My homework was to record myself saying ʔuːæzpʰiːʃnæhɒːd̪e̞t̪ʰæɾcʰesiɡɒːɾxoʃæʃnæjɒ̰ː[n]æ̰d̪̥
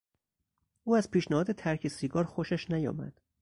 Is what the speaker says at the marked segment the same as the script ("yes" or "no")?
no